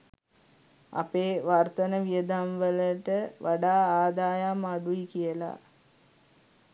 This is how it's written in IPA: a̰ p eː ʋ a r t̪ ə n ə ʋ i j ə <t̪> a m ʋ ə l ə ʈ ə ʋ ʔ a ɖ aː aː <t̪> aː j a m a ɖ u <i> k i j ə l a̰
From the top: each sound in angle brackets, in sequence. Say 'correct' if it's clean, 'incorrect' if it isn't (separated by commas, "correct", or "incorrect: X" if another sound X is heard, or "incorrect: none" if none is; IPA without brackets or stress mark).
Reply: incorrect: d̪, incorrect: d̪, correct